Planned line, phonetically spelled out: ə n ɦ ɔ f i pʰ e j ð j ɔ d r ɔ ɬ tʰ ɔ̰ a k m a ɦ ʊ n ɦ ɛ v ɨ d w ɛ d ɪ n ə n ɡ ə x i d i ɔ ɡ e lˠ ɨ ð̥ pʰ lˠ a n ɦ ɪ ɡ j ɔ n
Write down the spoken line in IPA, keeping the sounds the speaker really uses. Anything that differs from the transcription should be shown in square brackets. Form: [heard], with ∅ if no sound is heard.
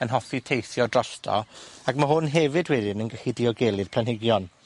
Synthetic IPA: ə n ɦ ɔ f i [tʰ] e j [θ] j ɔ d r ɔ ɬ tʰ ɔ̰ a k m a ɦ ʊ n ɦ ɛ v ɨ d w ɛ d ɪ n ə n ɡ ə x i d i ɔ ɡ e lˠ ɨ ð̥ pʰ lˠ a n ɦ ɪ ɡ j ɔ n